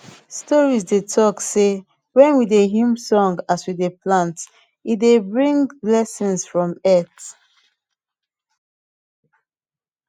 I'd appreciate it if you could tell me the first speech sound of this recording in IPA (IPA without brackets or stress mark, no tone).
s